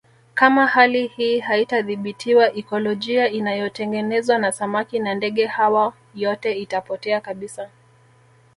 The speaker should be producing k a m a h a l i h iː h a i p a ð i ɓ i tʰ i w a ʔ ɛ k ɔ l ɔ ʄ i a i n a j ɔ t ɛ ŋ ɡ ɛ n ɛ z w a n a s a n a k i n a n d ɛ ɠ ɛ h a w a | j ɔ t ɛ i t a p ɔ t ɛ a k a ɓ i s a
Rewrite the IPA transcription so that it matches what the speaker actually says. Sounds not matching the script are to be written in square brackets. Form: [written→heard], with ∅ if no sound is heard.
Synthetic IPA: k a m a h a l i h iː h a i [p→t] a ð i ɓ i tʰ i w a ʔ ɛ k ɔ l ɔ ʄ i a i n a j ɔ t ɛ ŋ ɡ ɛ n ɛ z w a n a s a [n→m] a k i n a n d ɛ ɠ ɛ h a w a | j ɔ t ɛ i t a p ɔ t ɛ a k a ɓ i s a